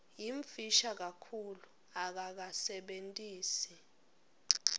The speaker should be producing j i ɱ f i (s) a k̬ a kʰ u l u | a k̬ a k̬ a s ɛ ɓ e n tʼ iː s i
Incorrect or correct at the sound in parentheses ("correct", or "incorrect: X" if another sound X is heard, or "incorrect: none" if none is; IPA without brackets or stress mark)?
incorrect: ʃ